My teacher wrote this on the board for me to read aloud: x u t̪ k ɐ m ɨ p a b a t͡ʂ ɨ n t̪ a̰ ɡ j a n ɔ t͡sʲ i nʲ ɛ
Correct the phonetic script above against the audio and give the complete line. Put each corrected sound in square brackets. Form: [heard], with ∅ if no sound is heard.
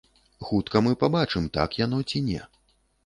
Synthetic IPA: x u t̪ k ɐ m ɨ p a b a t͡ʂ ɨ [m] t̪ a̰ [k] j a n ɔ t͡sʲ i nʲ ɛ